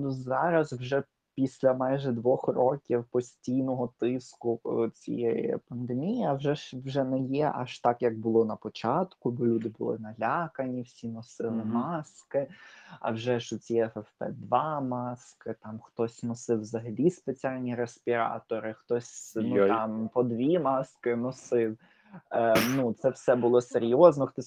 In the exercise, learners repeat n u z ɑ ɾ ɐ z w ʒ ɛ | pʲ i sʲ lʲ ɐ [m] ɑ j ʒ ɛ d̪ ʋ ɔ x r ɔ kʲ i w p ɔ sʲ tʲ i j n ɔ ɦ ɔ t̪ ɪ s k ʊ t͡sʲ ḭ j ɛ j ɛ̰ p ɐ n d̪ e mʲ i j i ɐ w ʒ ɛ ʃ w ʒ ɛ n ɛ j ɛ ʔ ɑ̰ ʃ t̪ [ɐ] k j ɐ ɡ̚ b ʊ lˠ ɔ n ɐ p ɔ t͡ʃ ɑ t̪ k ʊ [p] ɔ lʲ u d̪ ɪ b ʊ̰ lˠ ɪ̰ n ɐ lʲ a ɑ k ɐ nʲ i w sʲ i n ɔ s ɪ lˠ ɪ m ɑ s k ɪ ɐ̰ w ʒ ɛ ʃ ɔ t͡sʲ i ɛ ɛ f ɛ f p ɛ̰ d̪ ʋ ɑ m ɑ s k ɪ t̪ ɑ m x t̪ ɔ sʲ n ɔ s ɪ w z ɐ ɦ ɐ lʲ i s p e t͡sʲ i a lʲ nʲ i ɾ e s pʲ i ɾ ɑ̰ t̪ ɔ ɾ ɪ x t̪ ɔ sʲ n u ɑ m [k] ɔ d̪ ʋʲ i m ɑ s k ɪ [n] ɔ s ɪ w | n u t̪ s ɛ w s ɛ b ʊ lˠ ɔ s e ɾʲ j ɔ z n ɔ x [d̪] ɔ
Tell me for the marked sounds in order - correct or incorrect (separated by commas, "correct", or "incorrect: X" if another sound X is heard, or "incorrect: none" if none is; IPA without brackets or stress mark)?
correct, incorrect: ɑ, incorrect: b, incorrect: p, correct, incorrect: t̪